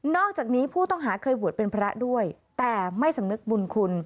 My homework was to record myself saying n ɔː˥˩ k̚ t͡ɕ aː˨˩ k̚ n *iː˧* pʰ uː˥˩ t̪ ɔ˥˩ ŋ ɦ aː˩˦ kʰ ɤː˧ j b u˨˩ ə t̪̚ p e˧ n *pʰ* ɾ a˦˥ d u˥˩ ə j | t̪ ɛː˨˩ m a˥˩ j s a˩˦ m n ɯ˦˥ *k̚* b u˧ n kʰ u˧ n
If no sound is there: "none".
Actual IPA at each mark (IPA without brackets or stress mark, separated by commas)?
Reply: iː˦˥, pʰ, k̚